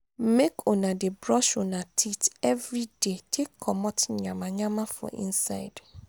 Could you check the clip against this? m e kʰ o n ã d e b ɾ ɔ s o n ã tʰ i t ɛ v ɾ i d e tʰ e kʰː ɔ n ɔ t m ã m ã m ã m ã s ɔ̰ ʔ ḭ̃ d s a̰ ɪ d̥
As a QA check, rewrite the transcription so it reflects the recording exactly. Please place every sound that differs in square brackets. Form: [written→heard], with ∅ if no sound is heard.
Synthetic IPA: m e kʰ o n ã d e b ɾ ɔ [s→ʃ] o n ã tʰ i t ɛ v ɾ i d e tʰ e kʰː ɔ [n→m] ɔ t [m→ɲ] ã m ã [m→ɲ] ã m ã [s→f] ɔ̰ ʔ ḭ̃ [d→n] s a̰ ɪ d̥